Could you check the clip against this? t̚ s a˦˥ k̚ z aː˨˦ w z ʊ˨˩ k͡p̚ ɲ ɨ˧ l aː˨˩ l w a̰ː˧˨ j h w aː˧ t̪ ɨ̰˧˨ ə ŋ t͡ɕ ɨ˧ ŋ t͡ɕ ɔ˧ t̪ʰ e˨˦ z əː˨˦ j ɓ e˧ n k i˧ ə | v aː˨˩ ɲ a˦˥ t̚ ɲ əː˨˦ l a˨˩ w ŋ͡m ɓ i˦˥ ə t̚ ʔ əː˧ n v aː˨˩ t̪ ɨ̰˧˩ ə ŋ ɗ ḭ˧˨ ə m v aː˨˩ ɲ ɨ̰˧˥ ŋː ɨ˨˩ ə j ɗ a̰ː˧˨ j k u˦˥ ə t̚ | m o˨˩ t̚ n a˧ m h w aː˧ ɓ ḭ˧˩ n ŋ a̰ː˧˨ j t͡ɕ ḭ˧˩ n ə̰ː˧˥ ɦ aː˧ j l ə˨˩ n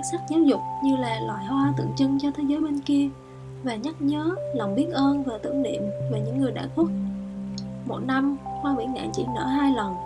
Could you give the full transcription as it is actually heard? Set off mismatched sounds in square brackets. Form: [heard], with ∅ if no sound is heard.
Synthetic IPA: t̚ s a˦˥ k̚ z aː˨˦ w z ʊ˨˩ k͡p̚ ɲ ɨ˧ l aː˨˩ l w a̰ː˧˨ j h w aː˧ t̪ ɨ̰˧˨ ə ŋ t͡ɕ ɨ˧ ŋ t͡ɕ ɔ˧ t̪ʰ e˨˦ z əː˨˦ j ɓ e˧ n k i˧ ə | v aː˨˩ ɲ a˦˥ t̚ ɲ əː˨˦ l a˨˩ w ŋ͡m ɓ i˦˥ ə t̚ ʔ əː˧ n v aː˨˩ t̪ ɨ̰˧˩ ə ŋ ɗ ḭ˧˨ ə m v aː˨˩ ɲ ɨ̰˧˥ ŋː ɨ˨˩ ə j ɗ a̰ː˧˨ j k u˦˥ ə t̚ | m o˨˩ t̚ n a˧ m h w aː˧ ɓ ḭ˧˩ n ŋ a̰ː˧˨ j t͡ɕ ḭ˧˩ n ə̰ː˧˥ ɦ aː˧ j l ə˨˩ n